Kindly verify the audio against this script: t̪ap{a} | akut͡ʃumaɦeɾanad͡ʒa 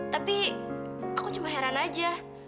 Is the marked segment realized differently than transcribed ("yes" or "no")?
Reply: yes